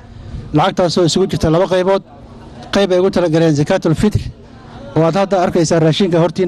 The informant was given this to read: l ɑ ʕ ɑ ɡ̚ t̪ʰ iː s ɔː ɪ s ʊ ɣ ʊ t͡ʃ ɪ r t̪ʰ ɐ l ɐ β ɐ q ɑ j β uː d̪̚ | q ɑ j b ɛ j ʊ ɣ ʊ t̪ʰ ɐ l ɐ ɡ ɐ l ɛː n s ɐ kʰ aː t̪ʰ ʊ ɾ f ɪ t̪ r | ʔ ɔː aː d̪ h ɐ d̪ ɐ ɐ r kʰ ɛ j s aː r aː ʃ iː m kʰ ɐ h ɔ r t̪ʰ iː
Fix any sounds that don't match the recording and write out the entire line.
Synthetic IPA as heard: l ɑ ʕ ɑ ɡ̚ t̪ʰ aː s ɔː ɪ s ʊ ɣ ʊ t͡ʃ ɪ r t̪ʰ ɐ l ɐ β ɐ q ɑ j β ɔː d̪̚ | q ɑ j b ɛ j ʊ ɣ ʊ t̪ʰ ɐ l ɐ ɡ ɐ l ɛː n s ɐ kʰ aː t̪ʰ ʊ l f ɪ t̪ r | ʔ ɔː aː d̪ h ɐ d̪ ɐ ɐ r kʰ ɛ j s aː r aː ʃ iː ŋ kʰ ɐ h ɔ r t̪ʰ iː

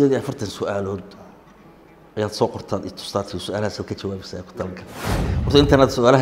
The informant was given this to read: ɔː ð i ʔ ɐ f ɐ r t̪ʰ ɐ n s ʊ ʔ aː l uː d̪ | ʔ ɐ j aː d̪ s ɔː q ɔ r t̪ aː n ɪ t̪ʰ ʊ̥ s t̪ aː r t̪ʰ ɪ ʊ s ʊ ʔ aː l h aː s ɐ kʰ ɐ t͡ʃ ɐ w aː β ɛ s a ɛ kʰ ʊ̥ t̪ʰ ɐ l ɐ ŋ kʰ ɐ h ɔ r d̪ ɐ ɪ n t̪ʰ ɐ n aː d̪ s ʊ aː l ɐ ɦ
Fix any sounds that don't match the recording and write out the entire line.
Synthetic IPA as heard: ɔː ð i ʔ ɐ f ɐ r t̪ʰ ɐ n s ʊ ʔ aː l ɔː d̪ | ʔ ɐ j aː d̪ s ɔː q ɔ r t̪ʰ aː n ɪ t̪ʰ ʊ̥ s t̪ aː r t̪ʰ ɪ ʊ s ʊ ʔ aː l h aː s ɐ kʰ ɐ t͡ʃ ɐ w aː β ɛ s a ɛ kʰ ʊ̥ t̪ʰ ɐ l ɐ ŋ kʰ ɐ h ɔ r t̪ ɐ ɪ n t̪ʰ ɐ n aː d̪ s ʊ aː l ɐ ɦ

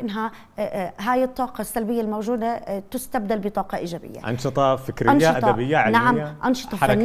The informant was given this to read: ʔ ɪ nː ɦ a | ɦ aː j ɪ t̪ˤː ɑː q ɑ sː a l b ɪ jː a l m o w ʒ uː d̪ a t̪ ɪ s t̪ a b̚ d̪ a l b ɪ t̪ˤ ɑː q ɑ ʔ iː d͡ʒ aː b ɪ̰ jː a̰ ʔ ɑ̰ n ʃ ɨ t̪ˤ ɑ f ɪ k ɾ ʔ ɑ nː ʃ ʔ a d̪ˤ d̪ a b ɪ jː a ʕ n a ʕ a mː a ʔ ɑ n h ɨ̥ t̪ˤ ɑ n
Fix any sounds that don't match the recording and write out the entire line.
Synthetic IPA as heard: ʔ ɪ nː ɦ a | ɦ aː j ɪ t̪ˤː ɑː q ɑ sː a l b ɪ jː a l m o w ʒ uː d̪ a t̪ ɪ s t̪ a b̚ d̪ a l b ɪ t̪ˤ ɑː q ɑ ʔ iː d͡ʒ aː b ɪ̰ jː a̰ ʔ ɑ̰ n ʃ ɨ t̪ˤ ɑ f ɪ k ɾ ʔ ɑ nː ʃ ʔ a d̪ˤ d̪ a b ɪ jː a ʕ n a ʕ a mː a ʔ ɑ n ʃ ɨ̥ t̪ˤ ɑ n

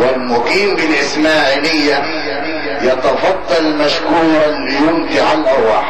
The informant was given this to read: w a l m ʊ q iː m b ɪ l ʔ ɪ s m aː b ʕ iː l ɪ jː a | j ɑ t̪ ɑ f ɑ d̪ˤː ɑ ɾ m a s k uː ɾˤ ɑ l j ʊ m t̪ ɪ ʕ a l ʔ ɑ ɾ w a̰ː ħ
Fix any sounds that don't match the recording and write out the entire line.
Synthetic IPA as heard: w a l m ʊ q iː m b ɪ l ʔ ɪ s m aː ʕ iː l ɪ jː a | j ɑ t̪ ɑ f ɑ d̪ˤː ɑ l m a ʃ k uː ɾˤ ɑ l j ʊ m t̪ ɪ ʕ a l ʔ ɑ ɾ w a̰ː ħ

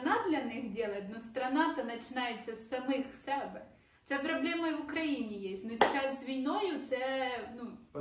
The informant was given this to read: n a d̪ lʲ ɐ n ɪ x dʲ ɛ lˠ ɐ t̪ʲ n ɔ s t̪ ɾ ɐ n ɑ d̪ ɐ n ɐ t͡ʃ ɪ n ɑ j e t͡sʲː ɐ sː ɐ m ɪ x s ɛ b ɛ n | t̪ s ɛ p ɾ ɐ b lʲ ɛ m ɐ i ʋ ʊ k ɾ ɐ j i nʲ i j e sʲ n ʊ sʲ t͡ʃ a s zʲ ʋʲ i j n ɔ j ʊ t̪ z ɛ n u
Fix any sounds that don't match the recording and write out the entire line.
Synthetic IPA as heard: n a d̪ lʲ ɐ n ɪ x dʲ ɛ lˠ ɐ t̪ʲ n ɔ s t̪ ɾ ɐ n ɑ t̪ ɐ n ɐ t͡ʃ ɪ n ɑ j e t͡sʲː ɐ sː ɐ m ɪ x s ɛ b ɛ | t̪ s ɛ p ɾ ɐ b lʲ ɛ m ɐ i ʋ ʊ k ɾ ɐ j i nʲ i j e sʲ n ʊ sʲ t͡ʃ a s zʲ ʋʲ i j n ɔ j ʊ t̪ s ɛ n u

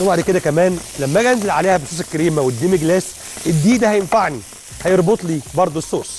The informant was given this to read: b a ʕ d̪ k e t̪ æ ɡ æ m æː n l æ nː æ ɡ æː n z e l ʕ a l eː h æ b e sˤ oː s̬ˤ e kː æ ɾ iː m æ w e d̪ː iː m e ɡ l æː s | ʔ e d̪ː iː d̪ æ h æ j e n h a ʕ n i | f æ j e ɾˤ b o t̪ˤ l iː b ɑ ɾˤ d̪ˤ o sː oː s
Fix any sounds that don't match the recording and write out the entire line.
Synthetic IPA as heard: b a ʕ d̪ k e d̪ æ k æ m æː n l æ mː æ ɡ æ n z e l ʕ a l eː h æ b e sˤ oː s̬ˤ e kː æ ɾ iː m æ w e d̪ː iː m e ɡ l æː s | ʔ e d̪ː iː d̪ æ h æ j e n f a ʕ n i | h æ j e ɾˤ b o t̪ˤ l iː b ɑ ɾˤ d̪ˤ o sː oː s

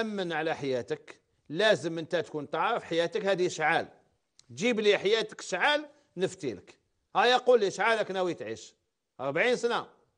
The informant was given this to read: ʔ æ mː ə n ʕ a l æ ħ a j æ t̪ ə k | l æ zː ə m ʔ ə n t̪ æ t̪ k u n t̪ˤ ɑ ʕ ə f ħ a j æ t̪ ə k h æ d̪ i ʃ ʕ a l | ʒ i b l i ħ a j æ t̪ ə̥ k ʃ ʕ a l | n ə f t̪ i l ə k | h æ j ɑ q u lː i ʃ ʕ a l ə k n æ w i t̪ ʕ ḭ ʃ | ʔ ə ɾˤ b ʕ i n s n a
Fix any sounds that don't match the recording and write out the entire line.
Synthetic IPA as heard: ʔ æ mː ə n ʕ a l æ ħ a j æ t̪ ə k | l æ z ə m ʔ ə n t̪ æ t̪ k u n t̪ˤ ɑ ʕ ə f ħ a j æ t̪ ə k h æ d̪ i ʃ ʕ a l | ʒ i b l i ħ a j æ t̪ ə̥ k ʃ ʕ a l | n ə f t̪ i l ə k | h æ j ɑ q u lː i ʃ ʕ a l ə k n æ w i t̪ ʕ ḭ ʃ | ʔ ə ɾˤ b ʕ i n s n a

